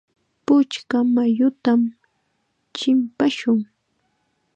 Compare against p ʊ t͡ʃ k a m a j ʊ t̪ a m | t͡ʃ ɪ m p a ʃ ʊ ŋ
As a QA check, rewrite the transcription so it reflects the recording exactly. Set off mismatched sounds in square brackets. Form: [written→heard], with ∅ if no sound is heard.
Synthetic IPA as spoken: p ʊ t͡ʃ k a m a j ʊ t̪ a m | t͡ʃ ɪ m p a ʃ ʊ ŋ